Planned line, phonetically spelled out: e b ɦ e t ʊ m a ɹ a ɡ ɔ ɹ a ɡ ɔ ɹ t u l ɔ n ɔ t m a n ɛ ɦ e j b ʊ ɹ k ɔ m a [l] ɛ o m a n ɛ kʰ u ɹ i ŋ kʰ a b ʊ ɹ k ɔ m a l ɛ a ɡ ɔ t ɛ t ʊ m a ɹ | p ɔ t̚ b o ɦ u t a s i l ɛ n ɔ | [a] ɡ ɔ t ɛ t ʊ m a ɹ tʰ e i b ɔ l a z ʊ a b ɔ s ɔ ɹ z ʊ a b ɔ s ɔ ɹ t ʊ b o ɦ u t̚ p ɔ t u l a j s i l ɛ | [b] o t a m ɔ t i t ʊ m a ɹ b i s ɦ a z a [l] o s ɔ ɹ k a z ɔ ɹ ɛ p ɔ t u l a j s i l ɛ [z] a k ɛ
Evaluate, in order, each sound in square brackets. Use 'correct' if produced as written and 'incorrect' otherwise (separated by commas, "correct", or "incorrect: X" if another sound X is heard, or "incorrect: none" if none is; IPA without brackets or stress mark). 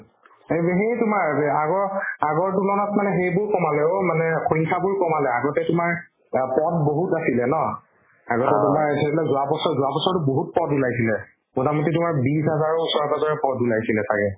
correct, correct, incorrect: m, incorrect: ɹ, incorrect: s